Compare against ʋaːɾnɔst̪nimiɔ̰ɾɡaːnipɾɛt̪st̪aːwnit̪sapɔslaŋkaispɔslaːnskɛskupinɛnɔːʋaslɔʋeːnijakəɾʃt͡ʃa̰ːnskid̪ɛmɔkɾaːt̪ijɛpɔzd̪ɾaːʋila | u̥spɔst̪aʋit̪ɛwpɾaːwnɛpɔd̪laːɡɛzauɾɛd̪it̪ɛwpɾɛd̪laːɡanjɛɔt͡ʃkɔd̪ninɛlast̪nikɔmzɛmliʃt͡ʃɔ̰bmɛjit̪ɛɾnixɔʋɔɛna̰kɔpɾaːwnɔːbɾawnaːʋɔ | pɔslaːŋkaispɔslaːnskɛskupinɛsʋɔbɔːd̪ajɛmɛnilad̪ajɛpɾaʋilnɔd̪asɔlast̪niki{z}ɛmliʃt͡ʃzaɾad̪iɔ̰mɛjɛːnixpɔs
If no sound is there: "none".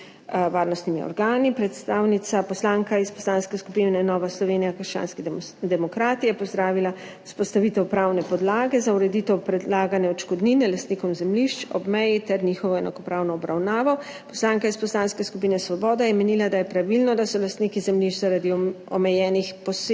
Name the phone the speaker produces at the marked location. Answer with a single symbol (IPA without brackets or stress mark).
z